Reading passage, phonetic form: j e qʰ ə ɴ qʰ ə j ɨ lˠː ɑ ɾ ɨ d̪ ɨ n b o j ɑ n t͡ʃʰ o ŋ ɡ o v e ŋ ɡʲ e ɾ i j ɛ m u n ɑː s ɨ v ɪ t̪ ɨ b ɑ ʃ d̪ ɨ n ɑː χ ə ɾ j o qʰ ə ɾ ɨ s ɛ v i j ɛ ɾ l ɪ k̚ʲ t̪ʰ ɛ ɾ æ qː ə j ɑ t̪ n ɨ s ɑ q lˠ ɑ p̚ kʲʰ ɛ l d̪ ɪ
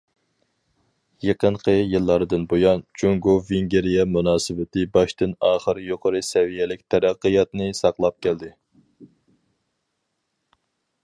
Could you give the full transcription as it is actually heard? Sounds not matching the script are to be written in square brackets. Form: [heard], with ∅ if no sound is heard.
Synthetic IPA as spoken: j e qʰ ə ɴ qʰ ə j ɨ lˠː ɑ ɾ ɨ d̪ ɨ n b o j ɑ n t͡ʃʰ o ŋ ɡ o v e ŋ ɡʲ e ɾ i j ɛ m u n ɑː s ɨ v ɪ t̪ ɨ b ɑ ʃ [t̪] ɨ n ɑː χ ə ɾ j o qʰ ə ɾ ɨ s ɛ v i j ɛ [∅] l ɪ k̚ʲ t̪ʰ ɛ ɾ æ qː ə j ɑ t̪ n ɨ s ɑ q lˠ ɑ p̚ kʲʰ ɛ l d̪ ɪ